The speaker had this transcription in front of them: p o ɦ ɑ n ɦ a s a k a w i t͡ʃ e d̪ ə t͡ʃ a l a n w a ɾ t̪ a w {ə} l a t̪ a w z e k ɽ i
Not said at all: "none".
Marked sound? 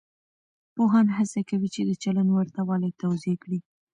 ɑ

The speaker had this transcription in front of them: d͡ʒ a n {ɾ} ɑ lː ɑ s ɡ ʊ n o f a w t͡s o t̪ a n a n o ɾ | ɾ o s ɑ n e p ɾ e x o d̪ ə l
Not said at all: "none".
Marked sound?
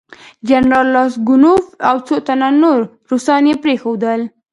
ɾ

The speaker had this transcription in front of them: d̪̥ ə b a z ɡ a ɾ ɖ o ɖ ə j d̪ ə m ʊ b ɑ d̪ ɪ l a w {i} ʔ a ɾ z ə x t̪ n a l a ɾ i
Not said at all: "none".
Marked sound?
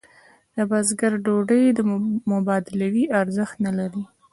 i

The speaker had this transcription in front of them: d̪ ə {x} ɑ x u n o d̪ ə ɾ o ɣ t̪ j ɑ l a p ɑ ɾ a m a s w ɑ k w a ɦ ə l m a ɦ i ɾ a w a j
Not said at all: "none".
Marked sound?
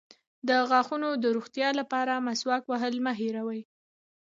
ɣ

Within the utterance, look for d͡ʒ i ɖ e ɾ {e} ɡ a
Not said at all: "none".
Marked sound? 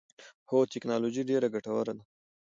a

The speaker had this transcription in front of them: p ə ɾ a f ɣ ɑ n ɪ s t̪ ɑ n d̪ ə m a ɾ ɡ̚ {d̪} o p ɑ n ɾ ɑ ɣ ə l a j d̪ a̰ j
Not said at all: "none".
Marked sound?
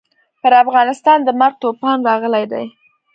t̪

